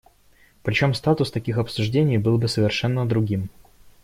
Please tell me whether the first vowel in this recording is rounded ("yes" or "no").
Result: no